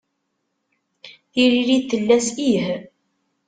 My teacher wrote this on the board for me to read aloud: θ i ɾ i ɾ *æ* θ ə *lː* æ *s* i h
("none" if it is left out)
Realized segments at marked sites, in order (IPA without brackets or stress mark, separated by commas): i, lː, s